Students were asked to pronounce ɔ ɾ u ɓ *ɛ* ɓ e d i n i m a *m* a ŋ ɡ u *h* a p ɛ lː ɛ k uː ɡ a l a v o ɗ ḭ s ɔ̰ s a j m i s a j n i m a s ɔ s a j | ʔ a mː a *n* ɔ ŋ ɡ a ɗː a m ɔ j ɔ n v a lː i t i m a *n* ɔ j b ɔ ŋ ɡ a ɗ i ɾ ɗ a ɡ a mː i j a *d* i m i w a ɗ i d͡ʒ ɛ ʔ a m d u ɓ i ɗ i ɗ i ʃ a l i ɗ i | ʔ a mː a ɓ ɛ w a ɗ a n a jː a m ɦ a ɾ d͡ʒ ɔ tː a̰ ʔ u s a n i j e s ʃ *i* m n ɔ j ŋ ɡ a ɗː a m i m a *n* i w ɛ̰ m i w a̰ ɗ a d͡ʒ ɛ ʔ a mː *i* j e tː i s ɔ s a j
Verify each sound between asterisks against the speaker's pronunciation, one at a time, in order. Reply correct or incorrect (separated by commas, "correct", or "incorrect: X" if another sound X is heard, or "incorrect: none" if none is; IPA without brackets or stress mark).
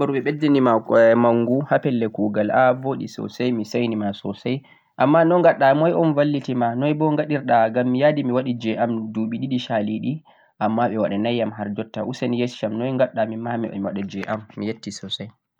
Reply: correct, correct, correct, correct, correct, correct, incorrect: a, incorrect: m, correct